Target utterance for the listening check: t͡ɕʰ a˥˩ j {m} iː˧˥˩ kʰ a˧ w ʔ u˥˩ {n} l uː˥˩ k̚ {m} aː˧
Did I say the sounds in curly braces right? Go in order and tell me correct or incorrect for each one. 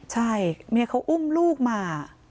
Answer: correct, incorrect: m, correct

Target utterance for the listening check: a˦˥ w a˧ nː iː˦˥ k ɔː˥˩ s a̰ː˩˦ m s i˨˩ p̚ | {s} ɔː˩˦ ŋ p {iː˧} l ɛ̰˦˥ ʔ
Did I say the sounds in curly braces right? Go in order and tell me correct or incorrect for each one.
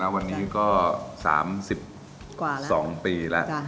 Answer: correct, correct

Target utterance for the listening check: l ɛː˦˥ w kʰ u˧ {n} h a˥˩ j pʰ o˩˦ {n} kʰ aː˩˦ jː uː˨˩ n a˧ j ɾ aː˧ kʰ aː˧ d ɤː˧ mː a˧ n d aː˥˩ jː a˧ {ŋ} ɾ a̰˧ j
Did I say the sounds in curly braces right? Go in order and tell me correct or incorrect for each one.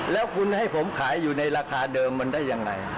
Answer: correct, incorrect: m, correct

